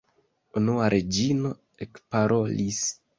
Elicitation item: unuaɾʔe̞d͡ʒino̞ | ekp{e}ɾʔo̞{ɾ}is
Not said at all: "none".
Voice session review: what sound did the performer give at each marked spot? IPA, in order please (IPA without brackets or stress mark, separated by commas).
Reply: a, l